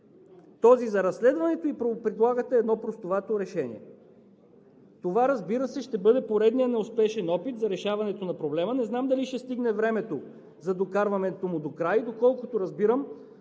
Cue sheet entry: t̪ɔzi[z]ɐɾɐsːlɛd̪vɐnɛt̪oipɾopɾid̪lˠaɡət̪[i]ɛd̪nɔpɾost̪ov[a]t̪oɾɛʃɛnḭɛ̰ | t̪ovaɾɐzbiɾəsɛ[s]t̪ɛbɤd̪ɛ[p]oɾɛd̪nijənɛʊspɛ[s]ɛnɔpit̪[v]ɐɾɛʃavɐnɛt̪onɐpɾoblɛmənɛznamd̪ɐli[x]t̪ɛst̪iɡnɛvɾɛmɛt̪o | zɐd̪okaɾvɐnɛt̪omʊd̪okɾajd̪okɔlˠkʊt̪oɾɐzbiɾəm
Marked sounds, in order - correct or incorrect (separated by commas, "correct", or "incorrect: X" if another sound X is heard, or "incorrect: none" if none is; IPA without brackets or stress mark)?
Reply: correct, incorrect: ɛ, correct, incorrect: ʃ, correct, incorrect: ʃ, incorrect: z, incorrect: ʃ